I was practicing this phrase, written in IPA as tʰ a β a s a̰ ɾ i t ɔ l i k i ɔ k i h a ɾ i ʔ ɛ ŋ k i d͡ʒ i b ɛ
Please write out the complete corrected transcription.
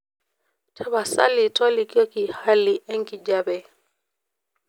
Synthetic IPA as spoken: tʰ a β a s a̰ l i t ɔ l i k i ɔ k i h a l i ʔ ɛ ŋ k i d͡ʒ a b ɛ